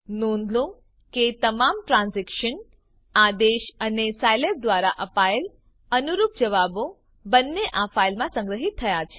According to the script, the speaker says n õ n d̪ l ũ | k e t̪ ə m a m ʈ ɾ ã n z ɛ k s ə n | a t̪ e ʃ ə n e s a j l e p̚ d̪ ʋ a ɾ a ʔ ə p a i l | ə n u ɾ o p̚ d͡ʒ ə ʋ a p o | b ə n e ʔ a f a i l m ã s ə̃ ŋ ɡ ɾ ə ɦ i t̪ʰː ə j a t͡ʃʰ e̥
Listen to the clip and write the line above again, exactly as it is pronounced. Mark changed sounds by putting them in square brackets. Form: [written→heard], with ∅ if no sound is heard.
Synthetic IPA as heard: n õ n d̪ l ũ | k e t̪ ə m a m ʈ ɾ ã n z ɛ k [s→ʃ] ə n | a [t̪→d̪] e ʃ ə n e s a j l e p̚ d̪ ʋ a ɾ a ʔ ə p a [i→e] l | ə n u ɾ [o→u] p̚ d͡ʒ ə ʋ a [p→b] o | b ə [n→nː] e ʔ a f a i l m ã s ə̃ ŋ ɡ ɾ ə ɦ i t̪ʰː ə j a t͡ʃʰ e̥